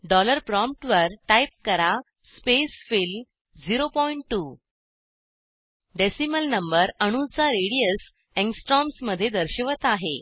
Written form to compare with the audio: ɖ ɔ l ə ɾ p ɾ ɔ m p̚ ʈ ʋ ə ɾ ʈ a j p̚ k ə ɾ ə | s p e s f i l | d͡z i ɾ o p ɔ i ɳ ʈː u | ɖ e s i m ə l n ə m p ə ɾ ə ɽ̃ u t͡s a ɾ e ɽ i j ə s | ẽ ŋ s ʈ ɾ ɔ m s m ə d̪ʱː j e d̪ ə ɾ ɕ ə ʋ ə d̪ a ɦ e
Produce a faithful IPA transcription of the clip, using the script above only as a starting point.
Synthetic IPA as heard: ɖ ɔ l ə ɾ p ɾ ɔ m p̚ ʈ ʋ ə ɾ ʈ a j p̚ k ə ɾ a | s p e s f i l | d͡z i ɾ o p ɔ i ɳ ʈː u | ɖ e s i m ə l n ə m b ə ɾ ə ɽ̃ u t͡s a ɾ e ɽ i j ə s | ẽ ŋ s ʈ ɾ ɔ m s m ə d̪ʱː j e d̪ ə ɾ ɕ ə ʋ ə t̪ a ɦ e